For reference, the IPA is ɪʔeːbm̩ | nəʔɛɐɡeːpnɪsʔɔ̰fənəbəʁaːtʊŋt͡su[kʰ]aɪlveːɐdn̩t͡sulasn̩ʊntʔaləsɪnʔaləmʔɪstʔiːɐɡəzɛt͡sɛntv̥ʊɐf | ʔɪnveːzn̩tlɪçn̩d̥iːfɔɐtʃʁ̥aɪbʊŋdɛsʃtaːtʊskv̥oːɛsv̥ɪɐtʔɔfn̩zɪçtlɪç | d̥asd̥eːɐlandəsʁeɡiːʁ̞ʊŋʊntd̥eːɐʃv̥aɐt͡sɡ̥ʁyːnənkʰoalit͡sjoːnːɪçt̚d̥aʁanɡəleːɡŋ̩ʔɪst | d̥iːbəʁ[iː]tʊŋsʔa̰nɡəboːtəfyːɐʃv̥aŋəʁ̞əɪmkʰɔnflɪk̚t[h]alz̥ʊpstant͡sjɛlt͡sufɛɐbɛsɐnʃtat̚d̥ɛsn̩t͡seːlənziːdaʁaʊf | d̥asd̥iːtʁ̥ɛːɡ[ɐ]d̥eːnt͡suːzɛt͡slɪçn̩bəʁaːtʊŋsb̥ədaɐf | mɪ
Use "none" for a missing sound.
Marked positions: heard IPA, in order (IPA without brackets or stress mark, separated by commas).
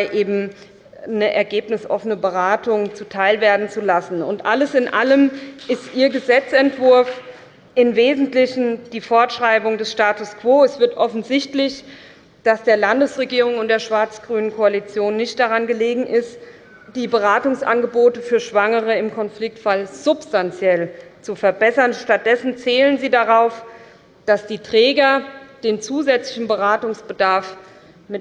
tʰ, aː, f, ɐ